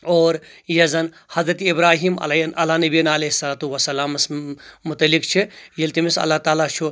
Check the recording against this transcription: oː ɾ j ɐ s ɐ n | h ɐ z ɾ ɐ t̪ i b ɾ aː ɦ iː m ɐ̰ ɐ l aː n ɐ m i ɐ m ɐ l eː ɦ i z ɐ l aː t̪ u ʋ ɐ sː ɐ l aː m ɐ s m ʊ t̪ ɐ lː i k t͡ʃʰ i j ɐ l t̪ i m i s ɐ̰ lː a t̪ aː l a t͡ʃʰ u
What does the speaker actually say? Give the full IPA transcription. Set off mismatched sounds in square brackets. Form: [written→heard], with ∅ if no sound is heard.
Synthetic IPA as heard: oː ɾ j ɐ [s→z] ɐ n | h ɐ z ɾ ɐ t̪ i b ɾ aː ɦ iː m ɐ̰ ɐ l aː n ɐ [m→b] i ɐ [m→n] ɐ l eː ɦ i [z→s] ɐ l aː t̪ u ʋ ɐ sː ɐ l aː m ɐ s m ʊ t̪ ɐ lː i k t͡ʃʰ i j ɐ l t̪ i m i s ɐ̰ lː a t̪ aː l a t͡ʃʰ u